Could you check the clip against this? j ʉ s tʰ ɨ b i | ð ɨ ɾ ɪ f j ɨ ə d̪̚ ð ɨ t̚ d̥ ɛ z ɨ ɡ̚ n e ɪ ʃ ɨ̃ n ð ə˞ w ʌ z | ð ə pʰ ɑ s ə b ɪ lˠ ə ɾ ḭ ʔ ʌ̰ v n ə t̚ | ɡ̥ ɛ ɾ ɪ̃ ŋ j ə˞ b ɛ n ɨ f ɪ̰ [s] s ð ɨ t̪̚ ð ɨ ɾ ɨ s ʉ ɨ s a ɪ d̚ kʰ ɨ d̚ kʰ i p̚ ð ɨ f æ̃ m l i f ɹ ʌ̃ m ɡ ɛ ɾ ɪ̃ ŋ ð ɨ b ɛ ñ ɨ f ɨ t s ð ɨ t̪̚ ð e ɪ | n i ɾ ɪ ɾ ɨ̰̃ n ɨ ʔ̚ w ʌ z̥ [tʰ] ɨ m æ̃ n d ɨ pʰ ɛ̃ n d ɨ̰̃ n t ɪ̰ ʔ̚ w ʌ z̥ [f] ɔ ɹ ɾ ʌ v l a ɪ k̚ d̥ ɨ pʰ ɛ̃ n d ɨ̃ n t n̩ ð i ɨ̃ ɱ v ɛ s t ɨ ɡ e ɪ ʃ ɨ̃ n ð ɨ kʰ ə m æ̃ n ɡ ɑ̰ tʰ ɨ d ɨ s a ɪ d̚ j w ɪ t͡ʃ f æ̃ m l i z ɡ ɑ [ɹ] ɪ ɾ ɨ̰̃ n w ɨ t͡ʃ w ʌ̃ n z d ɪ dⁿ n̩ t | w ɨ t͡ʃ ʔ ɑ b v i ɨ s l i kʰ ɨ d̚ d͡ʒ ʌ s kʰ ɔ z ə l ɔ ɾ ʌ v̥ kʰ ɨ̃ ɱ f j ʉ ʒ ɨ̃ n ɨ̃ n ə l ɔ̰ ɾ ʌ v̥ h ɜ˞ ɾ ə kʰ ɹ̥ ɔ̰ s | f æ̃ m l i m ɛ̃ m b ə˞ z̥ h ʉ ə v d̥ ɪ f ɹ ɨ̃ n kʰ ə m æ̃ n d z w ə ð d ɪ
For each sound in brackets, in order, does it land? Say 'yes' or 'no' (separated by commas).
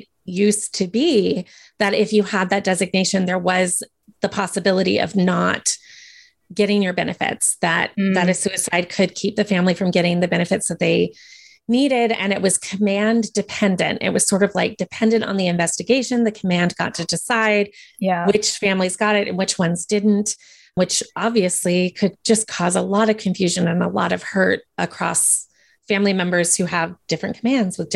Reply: no, no, no, no